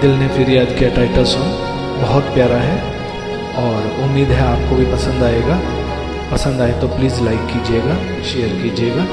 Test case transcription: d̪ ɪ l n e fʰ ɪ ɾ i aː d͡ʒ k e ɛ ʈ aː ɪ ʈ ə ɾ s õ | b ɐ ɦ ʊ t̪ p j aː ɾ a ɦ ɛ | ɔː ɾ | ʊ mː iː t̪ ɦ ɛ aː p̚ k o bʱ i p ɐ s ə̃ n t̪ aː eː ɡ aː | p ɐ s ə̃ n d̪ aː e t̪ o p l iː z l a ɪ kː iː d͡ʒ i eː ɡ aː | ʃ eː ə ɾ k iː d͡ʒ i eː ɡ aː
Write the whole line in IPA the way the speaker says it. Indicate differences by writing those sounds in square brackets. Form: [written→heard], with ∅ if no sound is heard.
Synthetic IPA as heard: d̪ ɪ l n e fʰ ɪ ɾ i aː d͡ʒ k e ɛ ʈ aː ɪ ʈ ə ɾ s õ | b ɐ ɦ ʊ t̪ p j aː ɾ a ɦ ɛ | ɔː ɾ | ʊ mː iː [t̪→d̪] ɦ ɛ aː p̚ k o bʱ i p ɐ s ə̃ n [t̪→d̪] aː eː ɡ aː | p ɐ s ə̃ n d̪ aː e t̪ o p l iː z l a ɪ kː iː d͡ʒ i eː ɡ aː | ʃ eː ə ɾ k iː d͡ʒ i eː ɡ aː